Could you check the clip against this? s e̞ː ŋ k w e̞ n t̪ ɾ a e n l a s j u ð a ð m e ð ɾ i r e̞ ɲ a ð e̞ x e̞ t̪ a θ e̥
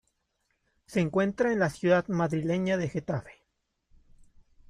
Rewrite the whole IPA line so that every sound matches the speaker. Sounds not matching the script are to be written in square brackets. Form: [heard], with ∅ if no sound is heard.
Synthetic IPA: s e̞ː ŋ k w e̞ n t̪ ɾ a e n l a s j u ð a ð m [a] ð ɾ i [l] e̞ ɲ a ð e̞ x e̞ t̪ a [f] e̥